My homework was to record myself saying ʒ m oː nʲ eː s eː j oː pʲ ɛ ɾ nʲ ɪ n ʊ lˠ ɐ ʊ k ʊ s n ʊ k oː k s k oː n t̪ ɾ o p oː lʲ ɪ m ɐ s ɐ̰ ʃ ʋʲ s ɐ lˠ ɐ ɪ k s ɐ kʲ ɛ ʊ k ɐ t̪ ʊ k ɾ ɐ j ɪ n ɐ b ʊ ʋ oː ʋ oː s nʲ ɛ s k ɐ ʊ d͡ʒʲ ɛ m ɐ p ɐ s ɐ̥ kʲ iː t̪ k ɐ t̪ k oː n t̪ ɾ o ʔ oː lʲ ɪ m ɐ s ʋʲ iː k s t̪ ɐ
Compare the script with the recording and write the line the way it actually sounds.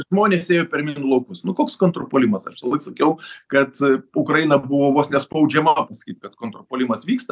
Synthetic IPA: ʒ m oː nʲ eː s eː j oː pʲ ɛ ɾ mʲ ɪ n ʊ lˠ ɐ ʊ k ʊ s n ʊ k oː k s k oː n t̪ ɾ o p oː lʲ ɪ m ɐ s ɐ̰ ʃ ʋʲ s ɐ lˠ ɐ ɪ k s ɐ kʲ ɛ ʊ k ɐ t̪ ʊ k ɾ ɐ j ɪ n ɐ b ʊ ʋ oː ʋ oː s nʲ ɛ s p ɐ ʊ d͡ʒʲ ɛ m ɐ p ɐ s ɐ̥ kʲ iː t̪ k ɐ t̪ k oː n t̪ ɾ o p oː lʲ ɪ m ɐ s ʋʲ iː k s t̪ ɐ